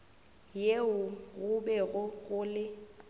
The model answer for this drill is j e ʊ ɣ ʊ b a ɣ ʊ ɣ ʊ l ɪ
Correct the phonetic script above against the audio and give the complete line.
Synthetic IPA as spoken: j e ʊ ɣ ʊ b ɛ ɣ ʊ ɣ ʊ l ɪ

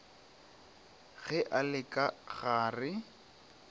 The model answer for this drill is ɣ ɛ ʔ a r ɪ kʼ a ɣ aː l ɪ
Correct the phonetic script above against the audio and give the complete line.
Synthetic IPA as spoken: ɣ ɛ ʔ a l ɪ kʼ a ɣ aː r ɪ

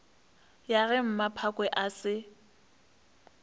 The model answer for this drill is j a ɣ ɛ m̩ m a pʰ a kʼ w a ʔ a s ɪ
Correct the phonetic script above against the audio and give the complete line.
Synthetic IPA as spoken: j a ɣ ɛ m̩ m a pʰ a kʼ w ɛ ʔ a s ɪ

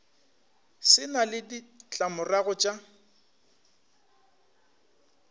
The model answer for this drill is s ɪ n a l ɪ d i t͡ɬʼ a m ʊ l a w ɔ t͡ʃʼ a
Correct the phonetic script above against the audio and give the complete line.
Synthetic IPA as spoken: s ɪ n a l ɪ d i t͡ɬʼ a m ʊ r a ɣ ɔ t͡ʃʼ a

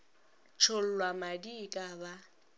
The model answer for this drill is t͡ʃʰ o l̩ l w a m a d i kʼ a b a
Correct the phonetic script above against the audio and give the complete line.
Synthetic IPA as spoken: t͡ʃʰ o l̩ l w a m a d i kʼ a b a

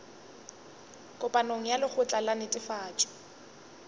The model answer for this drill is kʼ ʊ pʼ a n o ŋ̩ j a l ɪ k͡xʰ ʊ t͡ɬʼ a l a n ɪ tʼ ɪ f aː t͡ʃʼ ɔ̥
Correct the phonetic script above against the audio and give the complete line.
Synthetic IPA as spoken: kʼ ʊ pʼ a n o ŋ̩ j a l ɪ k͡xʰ ʊ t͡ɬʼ a l a n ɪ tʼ ɪ f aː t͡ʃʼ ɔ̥

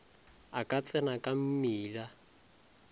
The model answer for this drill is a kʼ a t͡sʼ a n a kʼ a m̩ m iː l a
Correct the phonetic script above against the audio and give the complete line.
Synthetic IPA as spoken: a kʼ a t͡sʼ ɛ n a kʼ a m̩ m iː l a

